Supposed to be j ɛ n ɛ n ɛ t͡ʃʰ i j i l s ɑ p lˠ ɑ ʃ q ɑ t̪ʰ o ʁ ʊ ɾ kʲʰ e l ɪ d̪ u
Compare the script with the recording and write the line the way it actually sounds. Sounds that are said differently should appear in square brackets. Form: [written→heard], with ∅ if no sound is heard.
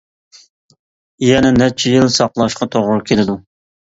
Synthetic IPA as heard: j ɛ n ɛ n ɛ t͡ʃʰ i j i l s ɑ [p→q] lˠ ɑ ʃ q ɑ t̪ʰ o ʁ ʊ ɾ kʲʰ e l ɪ d̪ u